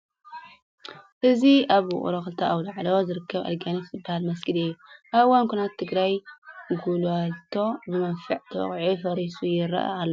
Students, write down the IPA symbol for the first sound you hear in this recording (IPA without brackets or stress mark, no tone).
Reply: ʔ